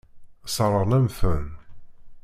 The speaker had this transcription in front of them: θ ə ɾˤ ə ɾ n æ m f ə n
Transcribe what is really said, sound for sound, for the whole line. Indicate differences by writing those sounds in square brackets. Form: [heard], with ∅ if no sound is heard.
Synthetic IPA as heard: [s] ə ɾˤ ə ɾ n æ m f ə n